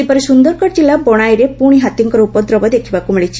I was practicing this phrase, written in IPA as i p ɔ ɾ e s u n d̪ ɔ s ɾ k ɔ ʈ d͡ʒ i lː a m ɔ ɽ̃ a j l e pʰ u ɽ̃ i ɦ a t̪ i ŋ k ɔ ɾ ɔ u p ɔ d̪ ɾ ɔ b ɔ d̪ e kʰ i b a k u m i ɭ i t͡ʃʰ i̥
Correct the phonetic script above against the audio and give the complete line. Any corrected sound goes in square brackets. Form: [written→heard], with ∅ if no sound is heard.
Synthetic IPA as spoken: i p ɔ ɾ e s u n d̪ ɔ [s→∅] ɾ k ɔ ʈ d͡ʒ i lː a [m→b] ɔ ɽ̃ a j [l→ɾ] e [pʰ→p] u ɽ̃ i ɦ a t̪ i ŋ k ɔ ɾ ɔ u p ɔ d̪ ɾ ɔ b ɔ d̪ e kʰ i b a k u m i ɭ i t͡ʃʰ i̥